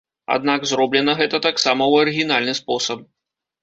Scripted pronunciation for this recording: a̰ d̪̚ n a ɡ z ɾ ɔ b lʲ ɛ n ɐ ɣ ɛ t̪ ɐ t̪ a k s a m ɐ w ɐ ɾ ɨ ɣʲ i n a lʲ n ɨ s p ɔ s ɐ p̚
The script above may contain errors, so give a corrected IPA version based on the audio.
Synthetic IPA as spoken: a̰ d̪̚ n a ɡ z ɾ ɔ b lʲ ɛ n ɐ ɣ ɛ t̪ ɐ t̪ a k s a m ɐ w ɐ ɾ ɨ ɣʲ i n a lʲ n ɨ s p ɔ s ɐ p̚